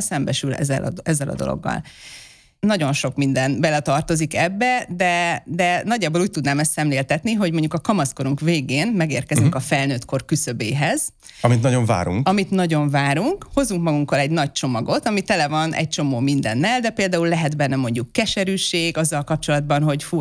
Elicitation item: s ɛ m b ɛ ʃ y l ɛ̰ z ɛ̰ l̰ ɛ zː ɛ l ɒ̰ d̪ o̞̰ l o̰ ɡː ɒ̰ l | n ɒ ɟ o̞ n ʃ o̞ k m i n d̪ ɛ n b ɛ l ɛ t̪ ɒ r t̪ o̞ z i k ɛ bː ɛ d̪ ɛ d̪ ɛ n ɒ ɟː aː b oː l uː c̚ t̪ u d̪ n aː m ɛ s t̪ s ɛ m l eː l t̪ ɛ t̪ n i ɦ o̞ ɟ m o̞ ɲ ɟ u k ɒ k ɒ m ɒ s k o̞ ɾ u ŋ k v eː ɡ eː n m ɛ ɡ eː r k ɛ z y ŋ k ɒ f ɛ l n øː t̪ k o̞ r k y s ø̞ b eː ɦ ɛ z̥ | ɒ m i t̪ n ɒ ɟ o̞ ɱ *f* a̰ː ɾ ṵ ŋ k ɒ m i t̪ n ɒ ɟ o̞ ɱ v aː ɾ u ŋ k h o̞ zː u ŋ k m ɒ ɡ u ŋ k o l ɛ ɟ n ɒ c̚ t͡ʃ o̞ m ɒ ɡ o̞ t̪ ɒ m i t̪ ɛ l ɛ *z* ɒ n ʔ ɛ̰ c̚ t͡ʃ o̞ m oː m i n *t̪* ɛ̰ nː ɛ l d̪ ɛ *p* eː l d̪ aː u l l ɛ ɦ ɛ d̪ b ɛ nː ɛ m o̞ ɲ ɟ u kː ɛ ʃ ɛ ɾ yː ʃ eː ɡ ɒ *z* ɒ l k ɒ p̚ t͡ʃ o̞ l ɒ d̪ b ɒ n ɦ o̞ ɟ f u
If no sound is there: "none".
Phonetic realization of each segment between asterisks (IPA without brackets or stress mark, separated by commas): v, v, d̪, p, zː